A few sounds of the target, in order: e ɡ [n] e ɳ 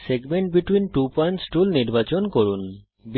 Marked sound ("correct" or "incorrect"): incorrect